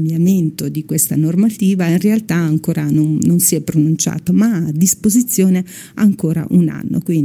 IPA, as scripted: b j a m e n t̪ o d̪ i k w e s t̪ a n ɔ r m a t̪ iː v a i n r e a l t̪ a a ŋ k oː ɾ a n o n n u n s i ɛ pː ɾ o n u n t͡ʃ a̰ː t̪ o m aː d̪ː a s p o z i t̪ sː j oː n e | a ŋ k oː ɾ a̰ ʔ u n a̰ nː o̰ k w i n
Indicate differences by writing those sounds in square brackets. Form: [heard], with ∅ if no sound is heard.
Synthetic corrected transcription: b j a m e n t̪ o d̪ i k w e s t̪ a n [o] r m a t̪ iː v a i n r e a l t̪ a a ŋ k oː ɾ a n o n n [o] n s i ɛ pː ɾ o n u n t͡ʃ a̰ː t̪ o m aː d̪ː [i] s p o z i t̪ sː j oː n e | a ŋ k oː ɾ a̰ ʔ u n a̰ nː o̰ k w i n